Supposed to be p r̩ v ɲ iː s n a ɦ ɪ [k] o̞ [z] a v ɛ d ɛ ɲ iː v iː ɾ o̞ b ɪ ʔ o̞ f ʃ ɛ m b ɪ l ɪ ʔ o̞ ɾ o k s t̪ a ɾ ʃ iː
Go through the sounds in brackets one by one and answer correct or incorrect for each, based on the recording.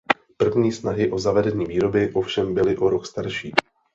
incorrect: ʔ, correct

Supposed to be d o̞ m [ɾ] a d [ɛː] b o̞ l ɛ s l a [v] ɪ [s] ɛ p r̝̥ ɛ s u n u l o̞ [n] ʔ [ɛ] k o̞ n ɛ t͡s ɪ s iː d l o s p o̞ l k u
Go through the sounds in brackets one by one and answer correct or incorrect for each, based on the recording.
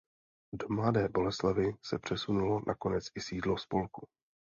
incorrect: l, correct, correct, correct, correct, incorrect: a

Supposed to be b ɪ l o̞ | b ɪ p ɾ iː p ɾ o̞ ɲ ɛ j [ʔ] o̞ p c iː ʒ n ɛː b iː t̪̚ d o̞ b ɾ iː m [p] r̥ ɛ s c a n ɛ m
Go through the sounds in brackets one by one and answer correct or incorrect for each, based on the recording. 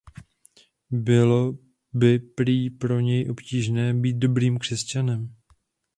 correct, incorrect: k

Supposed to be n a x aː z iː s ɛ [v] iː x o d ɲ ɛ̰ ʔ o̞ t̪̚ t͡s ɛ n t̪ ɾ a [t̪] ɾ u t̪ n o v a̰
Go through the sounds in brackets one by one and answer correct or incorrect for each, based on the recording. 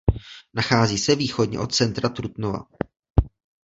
correct, correct

